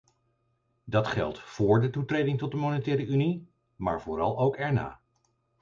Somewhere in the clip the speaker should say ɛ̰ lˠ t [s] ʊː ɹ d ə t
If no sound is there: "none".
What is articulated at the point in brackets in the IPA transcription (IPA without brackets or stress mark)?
f